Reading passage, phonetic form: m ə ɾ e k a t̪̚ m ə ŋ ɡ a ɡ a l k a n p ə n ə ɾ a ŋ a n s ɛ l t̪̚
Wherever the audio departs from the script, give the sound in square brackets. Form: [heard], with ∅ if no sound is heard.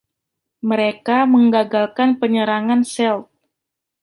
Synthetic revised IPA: m ə ɾ e k a [∅] m ə ŋ ɡ a ɡ a l k a n p ə [ɲ] ə ɾ a ŋ a n s ɛ l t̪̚